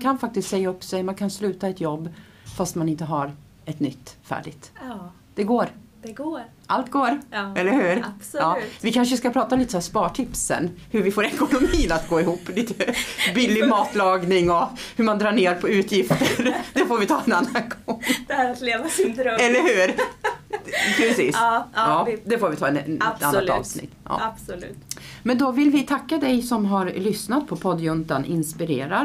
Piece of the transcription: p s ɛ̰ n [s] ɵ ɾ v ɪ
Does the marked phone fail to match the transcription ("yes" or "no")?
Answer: yes